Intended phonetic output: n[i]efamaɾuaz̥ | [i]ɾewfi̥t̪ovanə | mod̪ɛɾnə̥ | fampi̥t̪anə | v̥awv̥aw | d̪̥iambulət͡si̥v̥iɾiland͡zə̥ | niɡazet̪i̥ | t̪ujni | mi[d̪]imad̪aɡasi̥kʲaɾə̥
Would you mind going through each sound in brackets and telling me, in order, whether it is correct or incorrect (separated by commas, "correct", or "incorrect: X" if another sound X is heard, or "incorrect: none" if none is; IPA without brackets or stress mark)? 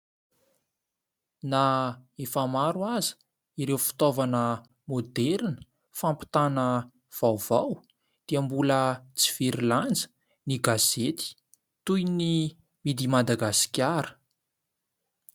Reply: incorrect: a, correct, correct